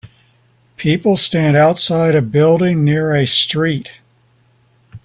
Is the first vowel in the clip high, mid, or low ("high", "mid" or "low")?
high